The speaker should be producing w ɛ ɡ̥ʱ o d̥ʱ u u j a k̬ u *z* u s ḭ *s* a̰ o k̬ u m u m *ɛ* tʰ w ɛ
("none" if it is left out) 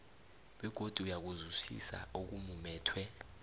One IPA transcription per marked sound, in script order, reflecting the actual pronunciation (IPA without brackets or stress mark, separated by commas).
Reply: z, s, ɛː